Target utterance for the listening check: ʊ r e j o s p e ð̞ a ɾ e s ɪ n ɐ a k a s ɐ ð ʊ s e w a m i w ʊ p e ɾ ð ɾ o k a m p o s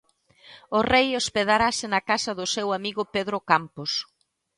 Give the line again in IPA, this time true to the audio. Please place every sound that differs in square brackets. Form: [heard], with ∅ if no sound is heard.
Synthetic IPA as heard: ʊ r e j o s p e ð̞ a ɾ [a] s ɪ n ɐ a k a s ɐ ð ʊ s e w a m i [ɣ] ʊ p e [∅] ð ɾ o k a m p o s